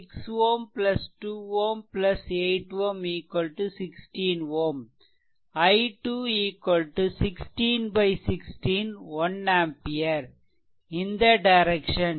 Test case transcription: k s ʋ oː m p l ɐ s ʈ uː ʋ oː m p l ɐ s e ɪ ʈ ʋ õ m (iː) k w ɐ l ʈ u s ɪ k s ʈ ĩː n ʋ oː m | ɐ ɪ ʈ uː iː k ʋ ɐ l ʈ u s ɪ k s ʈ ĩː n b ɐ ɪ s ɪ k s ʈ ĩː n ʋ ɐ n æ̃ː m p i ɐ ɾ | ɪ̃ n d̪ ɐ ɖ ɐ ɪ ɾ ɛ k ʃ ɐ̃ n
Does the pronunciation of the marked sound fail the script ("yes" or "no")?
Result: no